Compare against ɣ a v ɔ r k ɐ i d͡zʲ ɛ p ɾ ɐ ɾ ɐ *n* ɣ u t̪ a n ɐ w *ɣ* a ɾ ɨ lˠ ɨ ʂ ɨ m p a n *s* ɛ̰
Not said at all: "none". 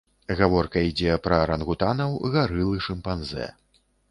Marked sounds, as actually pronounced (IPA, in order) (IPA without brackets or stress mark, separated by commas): n, ɣ, z